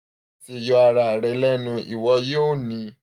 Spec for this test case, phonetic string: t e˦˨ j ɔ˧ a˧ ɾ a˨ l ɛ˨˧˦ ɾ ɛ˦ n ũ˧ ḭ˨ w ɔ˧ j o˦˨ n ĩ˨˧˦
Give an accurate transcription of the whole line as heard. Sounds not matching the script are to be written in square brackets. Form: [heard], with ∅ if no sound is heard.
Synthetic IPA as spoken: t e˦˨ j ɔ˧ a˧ ɾ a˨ [ɾ] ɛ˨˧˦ [l] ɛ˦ n ũ˧ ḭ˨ w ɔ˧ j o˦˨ n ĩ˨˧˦